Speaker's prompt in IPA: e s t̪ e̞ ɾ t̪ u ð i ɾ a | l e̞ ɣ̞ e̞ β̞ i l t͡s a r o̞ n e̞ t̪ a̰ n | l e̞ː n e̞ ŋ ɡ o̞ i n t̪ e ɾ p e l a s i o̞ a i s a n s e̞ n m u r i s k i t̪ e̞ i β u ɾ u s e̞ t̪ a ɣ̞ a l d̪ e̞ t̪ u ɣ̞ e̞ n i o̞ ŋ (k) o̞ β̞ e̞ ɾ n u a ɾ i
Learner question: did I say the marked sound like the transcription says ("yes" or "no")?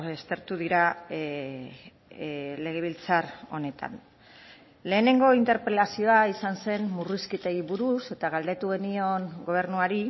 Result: no